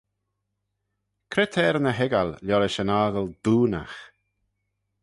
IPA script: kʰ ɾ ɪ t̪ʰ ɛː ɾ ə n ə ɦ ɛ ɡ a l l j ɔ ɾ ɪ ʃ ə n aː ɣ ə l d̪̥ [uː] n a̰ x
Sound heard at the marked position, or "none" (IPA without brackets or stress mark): uː